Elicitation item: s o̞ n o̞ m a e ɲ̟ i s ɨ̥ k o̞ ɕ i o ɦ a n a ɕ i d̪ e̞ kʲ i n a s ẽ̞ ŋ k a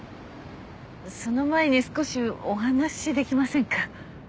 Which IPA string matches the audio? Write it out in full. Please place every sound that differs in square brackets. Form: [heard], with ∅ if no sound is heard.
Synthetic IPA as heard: s o̞ n o̞ m a e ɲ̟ i s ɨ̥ k o̞ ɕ i o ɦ a n a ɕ i d̪ e̞ kʲ i [m] a s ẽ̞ ŋ k a